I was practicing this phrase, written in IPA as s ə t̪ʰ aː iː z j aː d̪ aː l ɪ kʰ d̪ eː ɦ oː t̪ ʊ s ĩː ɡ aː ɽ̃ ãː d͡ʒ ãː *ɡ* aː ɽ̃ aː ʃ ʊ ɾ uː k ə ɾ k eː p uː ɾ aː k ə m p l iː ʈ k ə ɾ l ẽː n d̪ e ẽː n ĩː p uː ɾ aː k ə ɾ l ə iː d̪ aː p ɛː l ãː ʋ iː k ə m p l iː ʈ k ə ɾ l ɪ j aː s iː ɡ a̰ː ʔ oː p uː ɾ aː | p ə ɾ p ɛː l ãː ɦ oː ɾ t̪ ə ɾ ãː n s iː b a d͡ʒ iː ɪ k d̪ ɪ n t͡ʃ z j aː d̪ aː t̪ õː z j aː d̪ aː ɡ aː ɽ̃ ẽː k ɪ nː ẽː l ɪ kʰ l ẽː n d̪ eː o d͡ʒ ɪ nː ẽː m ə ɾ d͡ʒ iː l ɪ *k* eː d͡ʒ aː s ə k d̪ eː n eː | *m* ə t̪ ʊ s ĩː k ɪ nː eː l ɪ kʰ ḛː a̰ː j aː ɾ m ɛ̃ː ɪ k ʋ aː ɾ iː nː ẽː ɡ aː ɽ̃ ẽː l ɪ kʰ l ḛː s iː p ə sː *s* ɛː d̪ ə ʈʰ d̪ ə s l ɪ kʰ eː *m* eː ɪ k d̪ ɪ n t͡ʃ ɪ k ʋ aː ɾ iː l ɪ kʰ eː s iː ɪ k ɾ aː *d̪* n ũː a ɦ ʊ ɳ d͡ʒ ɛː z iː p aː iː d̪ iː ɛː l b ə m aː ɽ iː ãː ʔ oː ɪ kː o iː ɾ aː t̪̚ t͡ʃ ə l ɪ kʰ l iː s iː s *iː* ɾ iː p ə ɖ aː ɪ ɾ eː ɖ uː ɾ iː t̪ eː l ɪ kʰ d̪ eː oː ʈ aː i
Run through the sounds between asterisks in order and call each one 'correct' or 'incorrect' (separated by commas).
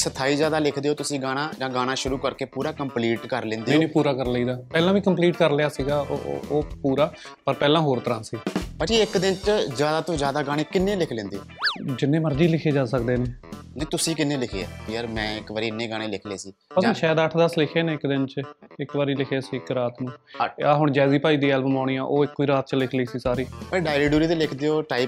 correct, incorrect, incorrect, incorrect, incorrect, incorrect, incorrect